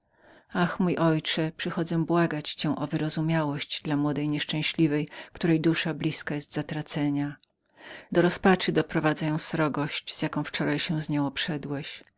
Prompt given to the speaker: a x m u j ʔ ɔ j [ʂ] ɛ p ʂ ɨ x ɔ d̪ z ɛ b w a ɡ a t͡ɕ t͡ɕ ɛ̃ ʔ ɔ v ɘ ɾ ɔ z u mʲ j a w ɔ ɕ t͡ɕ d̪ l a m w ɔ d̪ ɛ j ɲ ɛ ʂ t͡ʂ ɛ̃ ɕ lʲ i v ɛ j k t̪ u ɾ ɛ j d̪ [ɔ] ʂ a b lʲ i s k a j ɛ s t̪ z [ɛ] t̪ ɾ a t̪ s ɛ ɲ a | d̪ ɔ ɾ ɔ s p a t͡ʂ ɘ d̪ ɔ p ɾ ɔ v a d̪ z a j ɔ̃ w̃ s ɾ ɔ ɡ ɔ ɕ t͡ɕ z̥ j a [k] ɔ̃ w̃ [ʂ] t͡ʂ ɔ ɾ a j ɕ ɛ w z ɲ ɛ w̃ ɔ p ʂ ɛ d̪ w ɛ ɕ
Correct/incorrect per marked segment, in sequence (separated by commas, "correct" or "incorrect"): incorrect, incorrect, incorrect, correct, incorrect